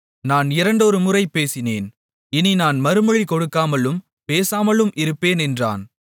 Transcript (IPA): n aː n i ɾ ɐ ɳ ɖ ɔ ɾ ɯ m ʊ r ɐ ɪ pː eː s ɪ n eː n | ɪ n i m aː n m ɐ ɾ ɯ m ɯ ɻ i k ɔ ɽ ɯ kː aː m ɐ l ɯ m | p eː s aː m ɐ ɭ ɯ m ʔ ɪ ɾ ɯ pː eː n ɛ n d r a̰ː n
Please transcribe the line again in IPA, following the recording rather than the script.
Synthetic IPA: n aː n ɪ ɾ ɐ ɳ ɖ ɔ ɾ ɯ m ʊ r ɐ ɪ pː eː s ɪ n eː n | ɪ n i n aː n m ɐ ɾ ɯ m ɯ ɻ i k ɔ ɽ ɯ kː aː m ɐ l ɯ m | p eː s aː m ɐ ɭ ɯ m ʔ ɪ ɾ ɯ pː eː n ɛ n d r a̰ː n